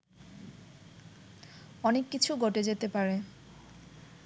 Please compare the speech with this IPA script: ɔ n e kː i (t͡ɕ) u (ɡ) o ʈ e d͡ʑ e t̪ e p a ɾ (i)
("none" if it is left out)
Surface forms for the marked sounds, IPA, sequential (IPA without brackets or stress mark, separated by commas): t͡ɕʰ, ɡ, e